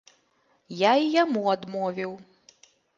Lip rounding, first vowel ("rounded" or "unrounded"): unrounded